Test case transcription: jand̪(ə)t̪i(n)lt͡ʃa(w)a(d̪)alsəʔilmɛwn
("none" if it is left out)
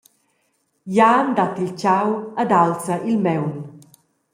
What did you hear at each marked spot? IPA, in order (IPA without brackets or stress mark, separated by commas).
a, none, w, d̪